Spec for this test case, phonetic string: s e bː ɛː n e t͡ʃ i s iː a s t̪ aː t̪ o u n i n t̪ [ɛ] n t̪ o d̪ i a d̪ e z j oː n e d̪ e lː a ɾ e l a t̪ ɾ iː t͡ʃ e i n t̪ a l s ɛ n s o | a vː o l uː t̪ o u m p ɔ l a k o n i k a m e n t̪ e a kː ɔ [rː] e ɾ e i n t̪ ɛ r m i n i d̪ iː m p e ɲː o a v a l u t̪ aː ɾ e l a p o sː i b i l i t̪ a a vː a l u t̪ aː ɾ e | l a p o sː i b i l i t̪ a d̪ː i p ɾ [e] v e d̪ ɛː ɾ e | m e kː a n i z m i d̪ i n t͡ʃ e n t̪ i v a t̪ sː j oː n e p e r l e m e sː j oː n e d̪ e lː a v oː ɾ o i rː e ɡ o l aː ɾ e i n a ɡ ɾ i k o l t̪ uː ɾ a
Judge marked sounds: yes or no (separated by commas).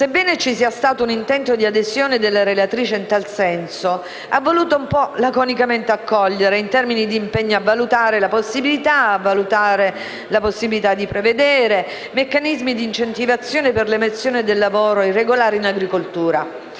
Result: yes, no, yes